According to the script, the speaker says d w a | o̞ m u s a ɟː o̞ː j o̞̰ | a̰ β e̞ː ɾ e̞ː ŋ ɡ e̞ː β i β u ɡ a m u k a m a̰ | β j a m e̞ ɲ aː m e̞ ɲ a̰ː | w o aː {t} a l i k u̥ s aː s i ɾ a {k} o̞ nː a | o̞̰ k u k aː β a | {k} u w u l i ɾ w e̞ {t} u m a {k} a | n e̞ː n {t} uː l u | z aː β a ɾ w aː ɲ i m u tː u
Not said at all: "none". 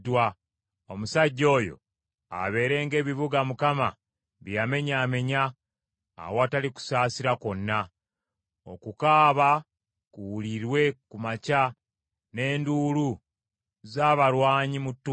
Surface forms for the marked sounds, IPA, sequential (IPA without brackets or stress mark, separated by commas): t, k, k, k, c, d